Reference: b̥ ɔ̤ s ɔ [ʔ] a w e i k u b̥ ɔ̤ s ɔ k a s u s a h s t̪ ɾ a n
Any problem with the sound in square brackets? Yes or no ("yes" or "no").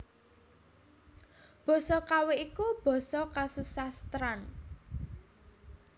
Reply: yes